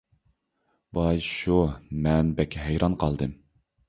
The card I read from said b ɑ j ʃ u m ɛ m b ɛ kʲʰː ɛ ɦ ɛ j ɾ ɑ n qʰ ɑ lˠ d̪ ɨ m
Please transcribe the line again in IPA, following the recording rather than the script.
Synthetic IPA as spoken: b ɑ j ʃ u m ɛ n b ɛ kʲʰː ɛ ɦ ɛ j ɾ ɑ n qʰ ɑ lˠ d̪ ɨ m